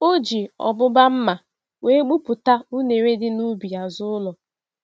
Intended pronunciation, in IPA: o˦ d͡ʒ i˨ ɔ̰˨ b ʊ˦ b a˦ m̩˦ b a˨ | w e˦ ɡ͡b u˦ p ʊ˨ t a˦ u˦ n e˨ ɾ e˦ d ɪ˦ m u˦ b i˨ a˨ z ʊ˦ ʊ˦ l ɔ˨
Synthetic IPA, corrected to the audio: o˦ d͡ʒ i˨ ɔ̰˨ b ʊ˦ b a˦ m̩˦ m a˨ | w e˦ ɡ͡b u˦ p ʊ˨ t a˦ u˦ n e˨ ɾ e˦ d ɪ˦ n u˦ b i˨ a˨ z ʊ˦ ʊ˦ l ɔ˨